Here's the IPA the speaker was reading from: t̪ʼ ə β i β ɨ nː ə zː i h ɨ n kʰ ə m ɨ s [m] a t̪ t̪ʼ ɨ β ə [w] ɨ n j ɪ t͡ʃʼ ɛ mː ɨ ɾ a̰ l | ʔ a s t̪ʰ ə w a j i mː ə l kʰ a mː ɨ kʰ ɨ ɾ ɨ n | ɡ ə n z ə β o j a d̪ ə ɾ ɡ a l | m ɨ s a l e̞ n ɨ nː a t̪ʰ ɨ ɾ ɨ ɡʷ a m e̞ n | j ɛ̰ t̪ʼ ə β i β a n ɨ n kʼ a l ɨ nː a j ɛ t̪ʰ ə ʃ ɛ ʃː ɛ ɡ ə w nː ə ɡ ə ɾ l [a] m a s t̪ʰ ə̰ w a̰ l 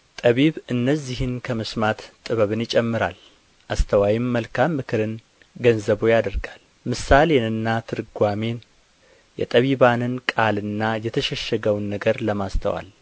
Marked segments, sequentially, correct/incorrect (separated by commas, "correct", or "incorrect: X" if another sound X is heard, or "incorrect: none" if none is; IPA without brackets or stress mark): correct, incorrect: β, incorrect: ə